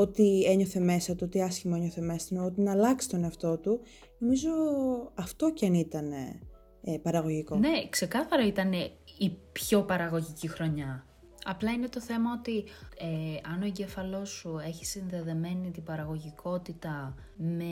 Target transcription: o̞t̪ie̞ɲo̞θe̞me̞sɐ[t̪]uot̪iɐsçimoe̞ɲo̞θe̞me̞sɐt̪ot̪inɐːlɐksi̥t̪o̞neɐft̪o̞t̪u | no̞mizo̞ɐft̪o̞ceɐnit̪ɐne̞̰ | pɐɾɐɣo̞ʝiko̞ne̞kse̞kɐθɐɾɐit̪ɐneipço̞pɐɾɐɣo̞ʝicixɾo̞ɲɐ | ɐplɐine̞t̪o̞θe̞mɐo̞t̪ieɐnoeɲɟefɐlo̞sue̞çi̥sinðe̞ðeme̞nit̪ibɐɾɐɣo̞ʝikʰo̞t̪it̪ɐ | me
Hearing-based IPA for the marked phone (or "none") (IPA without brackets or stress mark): t̪